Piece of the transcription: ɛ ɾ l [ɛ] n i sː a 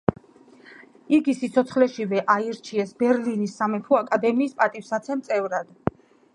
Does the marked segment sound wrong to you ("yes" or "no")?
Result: yes